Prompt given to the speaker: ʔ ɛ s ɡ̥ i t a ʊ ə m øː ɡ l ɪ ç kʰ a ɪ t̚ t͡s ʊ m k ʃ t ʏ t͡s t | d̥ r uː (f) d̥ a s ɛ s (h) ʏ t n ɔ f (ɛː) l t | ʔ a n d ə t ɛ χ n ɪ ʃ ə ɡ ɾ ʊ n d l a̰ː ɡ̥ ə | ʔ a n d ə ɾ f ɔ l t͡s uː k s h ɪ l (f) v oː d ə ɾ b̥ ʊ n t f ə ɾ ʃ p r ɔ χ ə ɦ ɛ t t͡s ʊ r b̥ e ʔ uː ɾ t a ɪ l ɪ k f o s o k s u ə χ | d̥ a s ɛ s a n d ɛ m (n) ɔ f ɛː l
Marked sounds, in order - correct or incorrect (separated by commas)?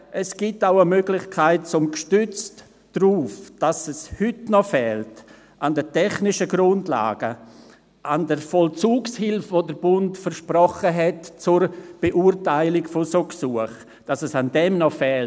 correct, correct, correct, correct, correct